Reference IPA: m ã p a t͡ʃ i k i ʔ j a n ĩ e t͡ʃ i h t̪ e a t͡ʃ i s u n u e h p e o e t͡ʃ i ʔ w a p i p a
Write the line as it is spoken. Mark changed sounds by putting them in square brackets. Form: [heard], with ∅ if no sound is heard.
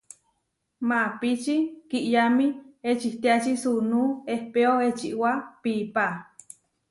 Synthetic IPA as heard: m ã p [i] t͡ʃ i k i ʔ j a [m] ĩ e t͡ʃ i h t̪ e a t͡ʃ i s u n u e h p e o e t͡ʃ i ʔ w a p i p a